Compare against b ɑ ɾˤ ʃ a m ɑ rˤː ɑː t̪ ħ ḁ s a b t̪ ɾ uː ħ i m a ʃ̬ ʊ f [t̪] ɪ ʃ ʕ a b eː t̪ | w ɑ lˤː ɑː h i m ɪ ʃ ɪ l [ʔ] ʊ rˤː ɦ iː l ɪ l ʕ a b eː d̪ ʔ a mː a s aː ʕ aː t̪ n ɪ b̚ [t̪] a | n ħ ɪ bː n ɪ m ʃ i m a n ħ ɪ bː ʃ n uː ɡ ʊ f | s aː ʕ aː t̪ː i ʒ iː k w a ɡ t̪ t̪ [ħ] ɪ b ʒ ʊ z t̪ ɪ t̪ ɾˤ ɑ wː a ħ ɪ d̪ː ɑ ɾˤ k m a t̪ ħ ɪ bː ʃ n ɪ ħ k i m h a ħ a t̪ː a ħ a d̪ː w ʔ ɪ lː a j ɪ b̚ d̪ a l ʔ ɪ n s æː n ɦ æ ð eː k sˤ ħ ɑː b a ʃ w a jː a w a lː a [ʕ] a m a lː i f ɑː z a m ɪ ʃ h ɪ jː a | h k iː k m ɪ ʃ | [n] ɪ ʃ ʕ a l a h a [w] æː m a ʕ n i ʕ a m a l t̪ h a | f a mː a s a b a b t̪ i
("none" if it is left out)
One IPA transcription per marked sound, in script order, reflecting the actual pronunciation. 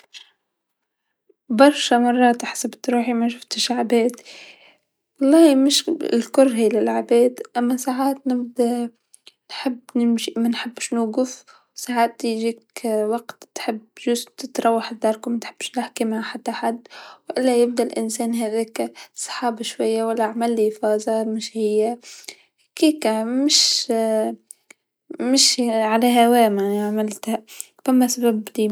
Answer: t̪, k, d̪, ħ, ʕ, m, w

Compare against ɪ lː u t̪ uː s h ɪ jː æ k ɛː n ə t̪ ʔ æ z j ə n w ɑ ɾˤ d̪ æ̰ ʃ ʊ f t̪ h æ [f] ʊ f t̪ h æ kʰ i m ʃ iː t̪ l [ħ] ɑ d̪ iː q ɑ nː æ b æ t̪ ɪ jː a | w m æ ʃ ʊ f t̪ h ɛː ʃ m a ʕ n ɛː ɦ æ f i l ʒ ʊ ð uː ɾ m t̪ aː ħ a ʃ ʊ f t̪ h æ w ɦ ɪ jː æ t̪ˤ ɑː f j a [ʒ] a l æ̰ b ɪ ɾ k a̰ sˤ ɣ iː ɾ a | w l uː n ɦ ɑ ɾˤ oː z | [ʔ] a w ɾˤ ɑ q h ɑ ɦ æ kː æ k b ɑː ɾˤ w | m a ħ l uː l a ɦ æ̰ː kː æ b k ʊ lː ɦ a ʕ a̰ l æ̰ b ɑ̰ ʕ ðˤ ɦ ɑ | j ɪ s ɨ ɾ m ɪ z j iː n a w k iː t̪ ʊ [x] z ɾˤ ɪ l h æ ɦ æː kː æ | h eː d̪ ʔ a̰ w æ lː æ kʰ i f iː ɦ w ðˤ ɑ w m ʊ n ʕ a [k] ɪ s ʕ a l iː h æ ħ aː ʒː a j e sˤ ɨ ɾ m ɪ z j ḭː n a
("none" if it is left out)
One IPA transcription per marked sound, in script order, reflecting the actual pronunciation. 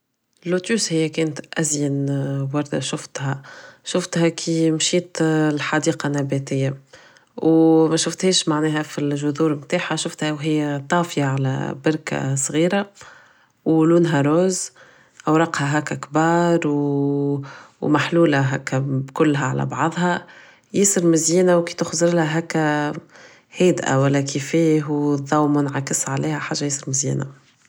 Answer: ʃ, ħ, ʕ, ʔ, x, k

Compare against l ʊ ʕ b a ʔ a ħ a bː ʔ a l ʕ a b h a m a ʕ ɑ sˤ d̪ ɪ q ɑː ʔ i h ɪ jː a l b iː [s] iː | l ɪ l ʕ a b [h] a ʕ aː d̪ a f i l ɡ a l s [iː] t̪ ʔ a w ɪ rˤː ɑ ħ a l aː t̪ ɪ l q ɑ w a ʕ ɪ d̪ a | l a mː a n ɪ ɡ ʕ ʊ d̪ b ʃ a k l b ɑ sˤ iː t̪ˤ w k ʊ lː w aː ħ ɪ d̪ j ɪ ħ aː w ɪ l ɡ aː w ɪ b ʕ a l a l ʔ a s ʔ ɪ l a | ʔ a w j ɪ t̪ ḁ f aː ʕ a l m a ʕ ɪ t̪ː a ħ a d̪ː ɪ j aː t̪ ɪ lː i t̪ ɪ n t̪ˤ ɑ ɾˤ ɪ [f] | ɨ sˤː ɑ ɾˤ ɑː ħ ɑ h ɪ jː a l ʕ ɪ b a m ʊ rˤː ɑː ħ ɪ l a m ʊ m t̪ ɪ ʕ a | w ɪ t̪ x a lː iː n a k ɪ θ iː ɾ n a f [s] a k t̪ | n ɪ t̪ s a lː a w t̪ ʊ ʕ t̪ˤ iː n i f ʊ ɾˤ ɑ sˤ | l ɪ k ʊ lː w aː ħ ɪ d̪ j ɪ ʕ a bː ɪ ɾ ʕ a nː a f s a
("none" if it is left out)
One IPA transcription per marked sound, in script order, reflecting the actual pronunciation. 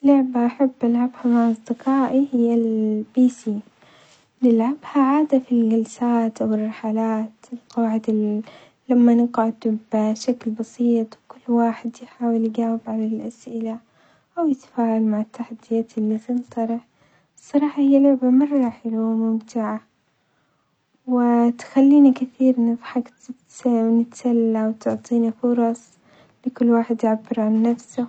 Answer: s, h, aː, ħ, ħ

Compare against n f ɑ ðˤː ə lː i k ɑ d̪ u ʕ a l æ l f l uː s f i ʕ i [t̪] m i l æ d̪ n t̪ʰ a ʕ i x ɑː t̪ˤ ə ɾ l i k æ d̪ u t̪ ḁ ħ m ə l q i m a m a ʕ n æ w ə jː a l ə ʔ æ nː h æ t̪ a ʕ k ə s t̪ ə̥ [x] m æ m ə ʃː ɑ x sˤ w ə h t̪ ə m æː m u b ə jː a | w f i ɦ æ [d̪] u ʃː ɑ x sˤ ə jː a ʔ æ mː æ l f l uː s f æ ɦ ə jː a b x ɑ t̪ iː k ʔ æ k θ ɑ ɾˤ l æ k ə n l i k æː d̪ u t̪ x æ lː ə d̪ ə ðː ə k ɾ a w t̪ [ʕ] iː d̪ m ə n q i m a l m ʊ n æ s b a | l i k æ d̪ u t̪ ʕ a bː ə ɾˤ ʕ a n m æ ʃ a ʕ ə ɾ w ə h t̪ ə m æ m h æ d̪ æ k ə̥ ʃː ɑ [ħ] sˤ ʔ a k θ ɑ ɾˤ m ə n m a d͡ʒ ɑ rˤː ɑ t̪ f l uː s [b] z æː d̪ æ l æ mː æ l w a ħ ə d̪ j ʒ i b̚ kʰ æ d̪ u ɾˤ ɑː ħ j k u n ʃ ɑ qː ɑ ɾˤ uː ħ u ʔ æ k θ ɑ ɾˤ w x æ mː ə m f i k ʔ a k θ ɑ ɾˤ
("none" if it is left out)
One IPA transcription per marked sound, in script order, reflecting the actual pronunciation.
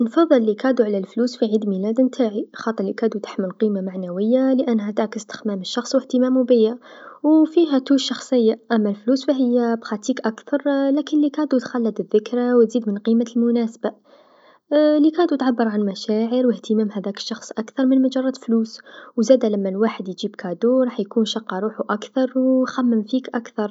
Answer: d̪, x, t̪, z, x, w

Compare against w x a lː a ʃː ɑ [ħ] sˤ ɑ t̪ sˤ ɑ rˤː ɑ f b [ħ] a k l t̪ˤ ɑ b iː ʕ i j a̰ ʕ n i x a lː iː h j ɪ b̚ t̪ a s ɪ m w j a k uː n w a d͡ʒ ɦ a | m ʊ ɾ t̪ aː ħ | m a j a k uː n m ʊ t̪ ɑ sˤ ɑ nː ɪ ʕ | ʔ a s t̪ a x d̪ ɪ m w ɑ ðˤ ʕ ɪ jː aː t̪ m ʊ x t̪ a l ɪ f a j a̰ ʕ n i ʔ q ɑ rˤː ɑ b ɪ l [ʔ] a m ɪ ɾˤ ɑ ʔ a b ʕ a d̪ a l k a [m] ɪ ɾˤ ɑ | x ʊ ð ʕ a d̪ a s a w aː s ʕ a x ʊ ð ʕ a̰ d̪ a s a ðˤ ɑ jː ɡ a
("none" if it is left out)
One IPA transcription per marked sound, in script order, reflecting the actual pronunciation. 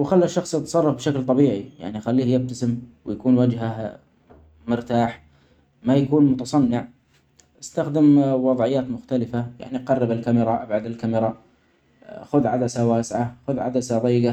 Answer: x, ʃ, k, m

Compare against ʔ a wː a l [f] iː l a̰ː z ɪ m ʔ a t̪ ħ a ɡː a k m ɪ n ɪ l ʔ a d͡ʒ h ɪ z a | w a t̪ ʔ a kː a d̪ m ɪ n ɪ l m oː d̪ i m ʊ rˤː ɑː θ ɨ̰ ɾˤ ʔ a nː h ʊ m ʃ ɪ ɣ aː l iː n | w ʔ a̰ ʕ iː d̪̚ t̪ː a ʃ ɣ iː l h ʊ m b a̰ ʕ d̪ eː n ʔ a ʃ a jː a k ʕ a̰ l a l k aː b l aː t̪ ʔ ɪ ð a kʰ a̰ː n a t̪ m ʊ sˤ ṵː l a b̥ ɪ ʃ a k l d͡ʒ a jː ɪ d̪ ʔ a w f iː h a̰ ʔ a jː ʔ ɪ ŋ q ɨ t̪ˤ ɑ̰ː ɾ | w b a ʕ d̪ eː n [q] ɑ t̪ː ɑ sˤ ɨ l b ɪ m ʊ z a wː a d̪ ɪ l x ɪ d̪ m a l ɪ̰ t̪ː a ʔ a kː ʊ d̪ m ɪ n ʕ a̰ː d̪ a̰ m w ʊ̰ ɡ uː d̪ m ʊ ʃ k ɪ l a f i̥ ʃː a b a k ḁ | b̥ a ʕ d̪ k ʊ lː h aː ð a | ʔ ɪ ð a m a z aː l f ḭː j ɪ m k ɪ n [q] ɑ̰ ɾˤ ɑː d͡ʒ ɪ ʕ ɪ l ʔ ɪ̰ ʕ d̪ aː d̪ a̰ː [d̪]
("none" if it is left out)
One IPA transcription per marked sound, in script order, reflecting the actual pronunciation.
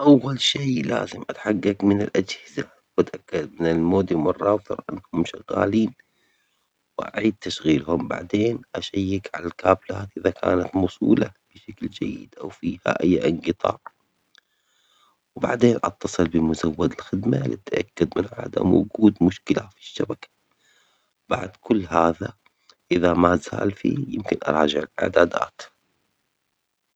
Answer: ʃ, ʔ, ʔ, t̪

